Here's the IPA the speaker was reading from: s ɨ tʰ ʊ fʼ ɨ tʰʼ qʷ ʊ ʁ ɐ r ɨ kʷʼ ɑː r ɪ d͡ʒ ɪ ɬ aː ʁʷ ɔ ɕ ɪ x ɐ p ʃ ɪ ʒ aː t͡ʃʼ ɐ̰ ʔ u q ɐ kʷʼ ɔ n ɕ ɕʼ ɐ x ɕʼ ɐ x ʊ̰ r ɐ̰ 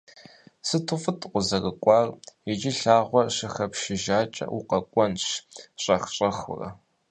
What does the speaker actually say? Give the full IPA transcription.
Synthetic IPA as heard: s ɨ tʰ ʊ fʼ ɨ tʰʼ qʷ ʊ z ɐ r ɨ kʷʼ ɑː r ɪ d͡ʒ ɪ ɬ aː ʁʷ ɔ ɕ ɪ x ɐ p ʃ ɪ ʒ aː t͡ʃʼ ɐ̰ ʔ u q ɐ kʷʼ ɔ n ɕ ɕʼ ɐ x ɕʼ ɐ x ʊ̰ r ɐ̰